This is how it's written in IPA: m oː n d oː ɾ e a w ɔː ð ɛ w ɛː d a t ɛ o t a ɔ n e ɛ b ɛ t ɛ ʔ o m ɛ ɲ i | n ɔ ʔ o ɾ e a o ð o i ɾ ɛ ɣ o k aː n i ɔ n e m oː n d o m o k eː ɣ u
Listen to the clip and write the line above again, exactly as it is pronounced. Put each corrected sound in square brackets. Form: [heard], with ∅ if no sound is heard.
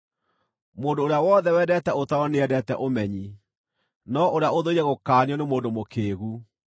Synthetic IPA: m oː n d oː ɾ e a w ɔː ð ɛ w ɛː d [ɛ] t ɛ o t a ɔ n e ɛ [d] ɛ t ɛ ʔ o m ɛ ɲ i | n ɔ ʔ o ɾ e a o ð o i ɾ ɛ ɣ o k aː n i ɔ n e m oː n d o m o k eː ɣ u